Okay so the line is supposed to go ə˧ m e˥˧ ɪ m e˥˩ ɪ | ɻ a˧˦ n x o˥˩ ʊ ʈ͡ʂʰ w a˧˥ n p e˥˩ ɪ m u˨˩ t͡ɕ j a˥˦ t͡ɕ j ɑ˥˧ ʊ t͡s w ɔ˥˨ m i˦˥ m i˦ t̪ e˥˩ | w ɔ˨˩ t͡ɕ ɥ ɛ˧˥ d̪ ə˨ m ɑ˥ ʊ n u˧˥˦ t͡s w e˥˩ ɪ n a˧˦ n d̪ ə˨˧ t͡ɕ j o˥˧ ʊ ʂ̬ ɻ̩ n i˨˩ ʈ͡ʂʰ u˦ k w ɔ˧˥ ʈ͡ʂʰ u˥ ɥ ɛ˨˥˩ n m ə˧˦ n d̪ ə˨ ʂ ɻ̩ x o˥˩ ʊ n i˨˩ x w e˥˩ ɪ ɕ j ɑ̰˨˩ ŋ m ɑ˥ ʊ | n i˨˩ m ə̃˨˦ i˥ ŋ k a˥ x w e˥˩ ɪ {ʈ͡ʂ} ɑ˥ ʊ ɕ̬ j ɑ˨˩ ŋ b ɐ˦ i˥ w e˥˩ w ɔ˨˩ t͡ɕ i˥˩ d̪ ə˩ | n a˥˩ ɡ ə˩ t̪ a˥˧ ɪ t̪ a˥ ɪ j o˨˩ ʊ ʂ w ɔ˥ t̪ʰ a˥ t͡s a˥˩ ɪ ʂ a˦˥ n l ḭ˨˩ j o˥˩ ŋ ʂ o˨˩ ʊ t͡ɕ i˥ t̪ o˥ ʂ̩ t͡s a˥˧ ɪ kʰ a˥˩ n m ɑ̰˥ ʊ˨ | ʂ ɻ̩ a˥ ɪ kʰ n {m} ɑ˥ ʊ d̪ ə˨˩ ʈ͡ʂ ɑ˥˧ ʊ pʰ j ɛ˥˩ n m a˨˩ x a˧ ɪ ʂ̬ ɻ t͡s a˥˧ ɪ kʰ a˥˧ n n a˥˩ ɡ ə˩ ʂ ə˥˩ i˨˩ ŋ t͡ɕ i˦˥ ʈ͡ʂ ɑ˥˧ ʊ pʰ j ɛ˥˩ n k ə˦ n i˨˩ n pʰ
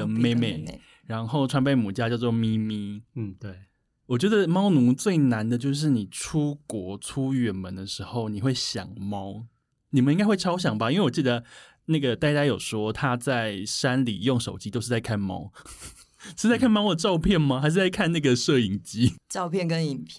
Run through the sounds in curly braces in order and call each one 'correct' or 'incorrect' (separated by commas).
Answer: incorrect, correct